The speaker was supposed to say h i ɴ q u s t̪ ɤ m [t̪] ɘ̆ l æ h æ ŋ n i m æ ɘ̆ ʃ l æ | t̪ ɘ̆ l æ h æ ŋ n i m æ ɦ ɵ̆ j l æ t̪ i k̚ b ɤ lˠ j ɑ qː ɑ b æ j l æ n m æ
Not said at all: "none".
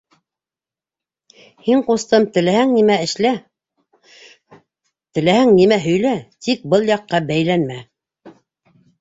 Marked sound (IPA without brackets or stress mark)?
t̪